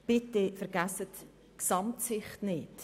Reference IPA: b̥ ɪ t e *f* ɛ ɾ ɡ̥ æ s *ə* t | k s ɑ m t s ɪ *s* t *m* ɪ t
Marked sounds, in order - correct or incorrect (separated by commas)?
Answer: correct, correct, incorrect, incorrect